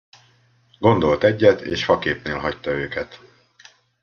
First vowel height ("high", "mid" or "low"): mid